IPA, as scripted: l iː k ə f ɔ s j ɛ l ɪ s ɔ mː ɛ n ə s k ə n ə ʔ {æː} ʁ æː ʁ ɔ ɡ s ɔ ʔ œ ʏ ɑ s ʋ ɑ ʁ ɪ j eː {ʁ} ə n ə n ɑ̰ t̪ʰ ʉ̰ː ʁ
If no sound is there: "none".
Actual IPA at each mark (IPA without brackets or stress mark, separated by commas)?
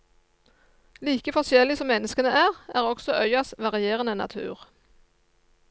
æː, ʁ